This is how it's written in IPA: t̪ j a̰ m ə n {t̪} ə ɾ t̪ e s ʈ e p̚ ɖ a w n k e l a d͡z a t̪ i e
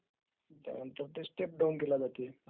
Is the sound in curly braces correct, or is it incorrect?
correct